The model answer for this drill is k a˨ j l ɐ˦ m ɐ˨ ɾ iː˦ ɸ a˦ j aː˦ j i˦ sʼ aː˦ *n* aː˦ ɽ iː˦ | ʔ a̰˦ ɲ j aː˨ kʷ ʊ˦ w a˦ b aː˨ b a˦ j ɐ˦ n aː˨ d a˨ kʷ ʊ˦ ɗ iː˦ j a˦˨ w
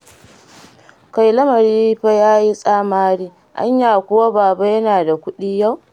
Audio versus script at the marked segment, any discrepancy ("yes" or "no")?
yes